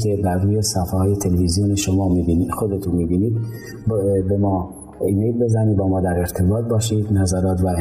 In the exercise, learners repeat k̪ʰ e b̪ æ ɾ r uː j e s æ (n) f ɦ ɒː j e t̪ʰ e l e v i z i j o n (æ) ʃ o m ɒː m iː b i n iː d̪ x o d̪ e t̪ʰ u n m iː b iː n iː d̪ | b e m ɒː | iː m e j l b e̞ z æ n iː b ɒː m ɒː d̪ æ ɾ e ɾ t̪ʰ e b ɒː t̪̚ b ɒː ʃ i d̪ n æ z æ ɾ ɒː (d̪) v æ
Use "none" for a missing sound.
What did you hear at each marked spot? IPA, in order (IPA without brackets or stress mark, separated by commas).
none, e, t̪